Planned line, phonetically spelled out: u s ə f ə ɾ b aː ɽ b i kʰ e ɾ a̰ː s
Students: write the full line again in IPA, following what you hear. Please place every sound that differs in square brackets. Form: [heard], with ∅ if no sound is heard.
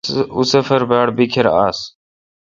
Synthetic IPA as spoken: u s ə f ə ɾ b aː ɽ b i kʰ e ɾ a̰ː s